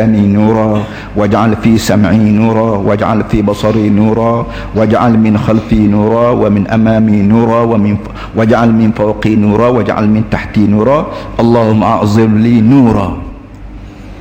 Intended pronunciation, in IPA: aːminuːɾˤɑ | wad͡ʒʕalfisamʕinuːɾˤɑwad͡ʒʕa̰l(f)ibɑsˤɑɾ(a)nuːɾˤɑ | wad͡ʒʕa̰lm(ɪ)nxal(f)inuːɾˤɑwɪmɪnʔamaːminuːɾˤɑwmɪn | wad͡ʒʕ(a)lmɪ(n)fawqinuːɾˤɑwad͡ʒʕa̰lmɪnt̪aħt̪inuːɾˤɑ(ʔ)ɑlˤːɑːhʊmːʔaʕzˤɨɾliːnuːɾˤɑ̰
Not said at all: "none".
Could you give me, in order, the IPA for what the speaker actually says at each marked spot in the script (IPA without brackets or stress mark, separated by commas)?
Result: f, i, ɪ, f, a, n, ʔ